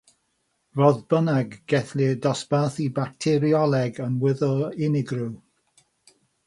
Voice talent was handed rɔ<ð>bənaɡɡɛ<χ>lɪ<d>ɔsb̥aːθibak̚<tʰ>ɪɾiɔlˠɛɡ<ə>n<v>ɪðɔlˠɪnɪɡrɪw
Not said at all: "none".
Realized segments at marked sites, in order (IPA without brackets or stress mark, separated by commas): ð, θ, d, tʰ, ə, w